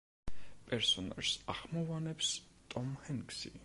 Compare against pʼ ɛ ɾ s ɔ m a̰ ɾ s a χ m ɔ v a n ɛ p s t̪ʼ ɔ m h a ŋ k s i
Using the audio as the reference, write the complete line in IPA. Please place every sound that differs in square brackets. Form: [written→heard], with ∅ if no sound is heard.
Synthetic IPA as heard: pʼ ɛ ɾ s ɔ [m→n] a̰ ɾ s a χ m ɔ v a n ɛ p s t̪ʼ ɔ m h [a→ɛ] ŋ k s i